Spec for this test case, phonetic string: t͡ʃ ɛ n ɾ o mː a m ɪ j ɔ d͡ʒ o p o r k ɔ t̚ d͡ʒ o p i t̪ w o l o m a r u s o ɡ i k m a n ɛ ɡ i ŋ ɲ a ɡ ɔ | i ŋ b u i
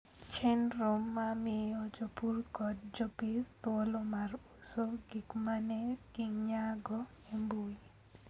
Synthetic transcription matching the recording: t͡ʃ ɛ n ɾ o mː a m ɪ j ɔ d͡ʒ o p u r k ɔ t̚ d͡ʒ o p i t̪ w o l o m a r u s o ɡ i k m a n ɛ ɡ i ŋ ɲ a ɡ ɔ | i m b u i